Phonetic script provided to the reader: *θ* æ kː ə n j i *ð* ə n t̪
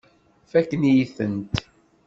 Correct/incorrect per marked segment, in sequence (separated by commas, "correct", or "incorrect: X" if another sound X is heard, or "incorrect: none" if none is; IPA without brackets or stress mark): incorrect: f, incorrect: θ